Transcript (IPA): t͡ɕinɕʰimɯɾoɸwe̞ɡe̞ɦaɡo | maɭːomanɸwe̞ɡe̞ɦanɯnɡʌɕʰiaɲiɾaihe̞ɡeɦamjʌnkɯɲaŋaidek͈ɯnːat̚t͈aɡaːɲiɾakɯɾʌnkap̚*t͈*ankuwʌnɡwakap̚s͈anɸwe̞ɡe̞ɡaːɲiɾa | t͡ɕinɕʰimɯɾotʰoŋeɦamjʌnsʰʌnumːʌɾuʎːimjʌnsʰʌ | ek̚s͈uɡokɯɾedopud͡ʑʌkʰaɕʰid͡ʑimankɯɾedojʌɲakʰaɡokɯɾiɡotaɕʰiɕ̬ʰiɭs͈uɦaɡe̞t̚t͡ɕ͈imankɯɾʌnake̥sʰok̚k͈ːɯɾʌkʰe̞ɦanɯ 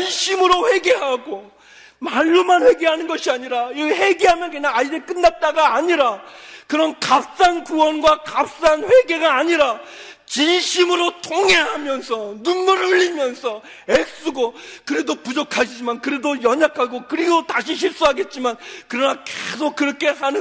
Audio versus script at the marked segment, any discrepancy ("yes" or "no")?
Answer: yes